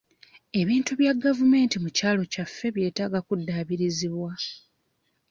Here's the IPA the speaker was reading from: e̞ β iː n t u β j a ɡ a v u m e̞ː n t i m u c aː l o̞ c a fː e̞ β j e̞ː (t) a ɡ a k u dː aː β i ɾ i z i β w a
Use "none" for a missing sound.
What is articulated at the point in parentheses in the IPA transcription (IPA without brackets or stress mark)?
t